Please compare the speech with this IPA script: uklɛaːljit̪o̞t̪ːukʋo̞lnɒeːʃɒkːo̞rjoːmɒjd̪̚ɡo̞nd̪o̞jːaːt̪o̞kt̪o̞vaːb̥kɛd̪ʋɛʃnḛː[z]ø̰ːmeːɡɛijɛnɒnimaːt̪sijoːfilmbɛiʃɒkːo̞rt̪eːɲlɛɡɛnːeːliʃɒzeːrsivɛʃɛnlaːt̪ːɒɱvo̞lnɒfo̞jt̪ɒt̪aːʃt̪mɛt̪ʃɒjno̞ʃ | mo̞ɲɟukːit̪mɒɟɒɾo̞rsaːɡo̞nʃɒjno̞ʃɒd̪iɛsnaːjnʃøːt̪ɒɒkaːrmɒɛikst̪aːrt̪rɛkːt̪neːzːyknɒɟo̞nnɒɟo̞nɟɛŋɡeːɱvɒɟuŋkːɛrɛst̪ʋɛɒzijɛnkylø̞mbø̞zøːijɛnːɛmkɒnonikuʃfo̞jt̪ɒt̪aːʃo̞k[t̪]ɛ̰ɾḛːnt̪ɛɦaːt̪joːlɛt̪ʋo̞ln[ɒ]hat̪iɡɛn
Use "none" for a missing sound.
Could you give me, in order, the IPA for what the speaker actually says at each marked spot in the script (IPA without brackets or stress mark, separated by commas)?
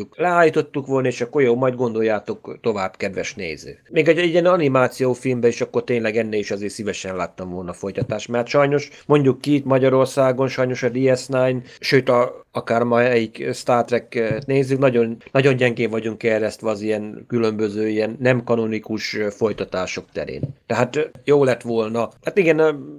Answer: z, t̪, ɒ